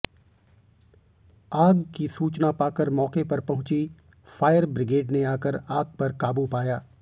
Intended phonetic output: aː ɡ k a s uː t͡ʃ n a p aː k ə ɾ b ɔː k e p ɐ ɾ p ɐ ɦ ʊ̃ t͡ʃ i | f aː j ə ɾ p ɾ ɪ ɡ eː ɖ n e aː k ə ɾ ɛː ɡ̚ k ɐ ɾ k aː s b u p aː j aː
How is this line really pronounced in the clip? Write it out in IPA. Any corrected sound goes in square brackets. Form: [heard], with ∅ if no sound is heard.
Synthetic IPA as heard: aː ɡ k [i] s uː t͡ʃ n a p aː k ə ɾ [m] ɔː k e p ɐ ɾ p ɐ ɦ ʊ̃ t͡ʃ i | f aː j ə ɾ [b] ɾ ɪ ɡ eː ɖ n e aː k ə ɾ [aː] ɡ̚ [p] ɐ ɾ k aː [∅] b u p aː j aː

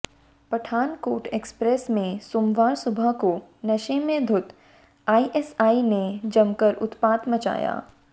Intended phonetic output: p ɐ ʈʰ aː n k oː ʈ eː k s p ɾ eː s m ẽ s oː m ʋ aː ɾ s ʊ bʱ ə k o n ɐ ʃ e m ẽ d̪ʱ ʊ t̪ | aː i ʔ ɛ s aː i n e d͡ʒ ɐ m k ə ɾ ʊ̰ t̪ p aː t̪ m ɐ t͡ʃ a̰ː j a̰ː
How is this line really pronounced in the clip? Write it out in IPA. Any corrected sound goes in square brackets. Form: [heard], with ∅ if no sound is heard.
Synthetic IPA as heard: p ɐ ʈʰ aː n k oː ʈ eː k s p ɾ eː s m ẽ s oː m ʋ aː ɾ s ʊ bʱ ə k o n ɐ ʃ e m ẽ d̪ʱ ʊ t̪ | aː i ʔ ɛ s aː i n e d͡ʒ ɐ m k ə ɾ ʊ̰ t̪ p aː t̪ m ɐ t͡ʃ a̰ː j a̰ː

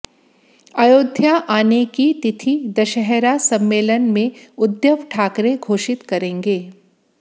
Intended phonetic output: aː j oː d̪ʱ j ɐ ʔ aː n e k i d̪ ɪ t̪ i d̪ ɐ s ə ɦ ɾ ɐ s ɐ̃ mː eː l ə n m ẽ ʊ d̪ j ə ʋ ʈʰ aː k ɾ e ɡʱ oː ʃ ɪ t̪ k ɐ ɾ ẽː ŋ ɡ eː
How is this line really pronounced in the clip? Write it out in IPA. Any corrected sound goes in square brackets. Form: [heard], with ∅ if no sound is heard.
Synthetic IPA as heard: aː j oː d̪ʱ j [a] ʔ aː n e k i [t̪] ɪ [t̪ʰ] i d̪ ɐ [ʃ] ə ɦ ɾ [a] s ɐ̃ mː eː l ə n m ẽ ʊ d̪ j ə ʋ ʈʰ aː k ɾ e ɡʱ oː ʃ ɪ t̪ k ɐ ɾ ẽː ŋ ɡ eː

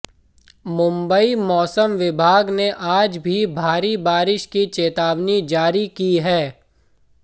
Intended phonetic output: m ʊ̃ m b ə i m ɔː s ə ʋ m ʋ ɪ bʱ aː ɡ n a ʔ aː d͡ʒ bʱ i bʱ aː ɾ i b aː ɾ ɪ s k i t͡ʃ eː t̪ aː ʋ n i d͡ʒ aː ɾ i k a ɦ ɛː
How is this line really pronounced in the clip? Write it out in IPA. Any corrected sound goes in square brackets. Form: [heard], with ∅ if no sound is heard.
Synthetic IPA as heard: m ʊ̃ m b ə i m ɔː s ə [∅] m ʋ ɪ bʱ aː ɡ n [e] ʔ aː d͡ʒ bʱ i bʱ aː ɾ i b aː ɾ ɪ [ʃ] k i t͡ʃ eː t̪ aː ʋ n i d͡ʒ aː ɾ i k [i] ɦ ɛː

